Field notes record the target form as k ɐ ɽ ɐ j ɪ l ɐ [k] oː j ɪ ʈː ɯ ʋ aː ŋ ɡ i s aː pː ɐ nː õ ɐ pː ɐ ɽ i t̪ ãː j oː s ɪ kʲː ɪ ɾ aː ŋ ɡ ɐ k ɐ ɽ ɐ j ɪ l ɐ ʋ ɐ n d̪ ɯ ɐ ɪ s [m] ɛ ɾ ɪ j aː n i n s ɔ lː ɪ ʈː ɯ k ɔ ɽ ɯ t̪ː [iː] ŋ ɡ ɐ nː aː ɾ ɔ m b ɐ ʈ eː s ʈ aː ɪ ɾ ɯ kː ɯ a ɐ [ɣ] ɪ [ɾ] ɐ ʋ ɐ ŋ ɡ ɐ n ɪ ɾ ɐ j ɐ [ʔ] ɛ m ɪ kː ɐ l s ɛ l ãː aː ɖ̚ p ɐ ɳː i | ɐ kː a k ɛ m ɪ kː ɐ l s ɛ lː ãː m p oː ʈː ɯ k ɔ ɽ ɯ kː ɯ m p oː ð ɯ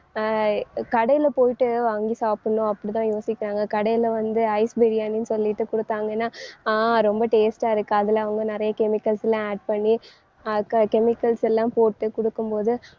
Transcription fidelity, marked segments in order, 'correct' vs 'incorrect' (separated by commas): incorrect, incorrect, incorrect, incorrect, incorrect, incorrect